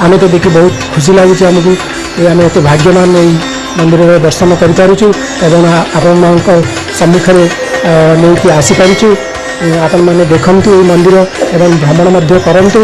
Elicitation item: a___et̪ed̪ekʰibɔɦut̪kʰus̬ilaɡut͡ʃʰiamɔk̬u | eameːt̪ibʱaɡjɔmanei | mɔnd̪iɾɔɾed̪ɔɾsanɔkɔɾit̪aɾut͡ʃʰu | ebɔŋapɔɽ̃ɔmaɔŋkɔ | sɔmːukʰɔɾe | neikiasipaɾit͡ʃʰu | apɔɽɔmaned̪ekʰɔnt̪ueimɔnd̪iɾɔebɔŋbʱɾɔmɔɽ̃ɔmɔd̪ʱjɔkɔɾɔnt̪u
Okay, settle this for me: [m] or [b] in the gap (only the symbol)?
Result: m